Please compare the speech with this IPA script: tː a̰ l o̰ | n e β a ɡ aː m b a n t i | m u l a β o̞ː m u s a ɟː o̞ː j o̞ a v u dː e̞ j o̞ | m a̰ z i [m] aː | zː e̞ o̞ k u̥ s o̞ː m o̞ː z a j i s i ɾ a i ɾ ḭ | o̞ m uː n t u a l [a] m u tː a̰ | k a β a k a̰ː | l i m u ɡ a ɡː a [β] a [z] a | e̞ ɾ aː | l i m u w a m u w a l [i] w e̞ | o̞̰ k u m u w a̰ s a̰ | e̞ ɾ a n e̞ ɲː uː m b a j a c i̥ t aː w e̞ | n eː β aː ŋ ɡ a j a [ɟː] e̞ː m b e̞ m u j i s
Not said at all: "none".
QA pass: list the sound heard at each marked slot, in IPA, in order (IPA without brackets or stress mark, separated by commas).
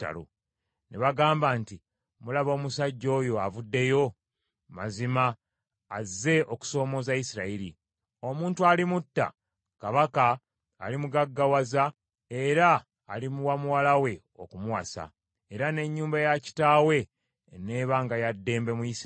m, i, w, z, a, dː